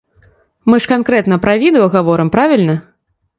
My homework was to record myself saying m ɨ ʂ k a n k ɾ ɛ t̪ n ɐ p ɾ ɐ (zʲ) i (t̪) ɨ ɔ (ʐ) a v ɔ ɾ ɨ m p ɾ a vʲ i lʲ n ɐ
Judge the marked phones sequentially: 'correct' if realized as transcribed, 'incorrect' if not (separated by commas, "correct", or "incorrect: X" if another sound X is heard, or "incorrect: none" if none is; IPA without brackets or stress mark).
incorrect: vʲ, incorrect: d̪, incorrect: ɣ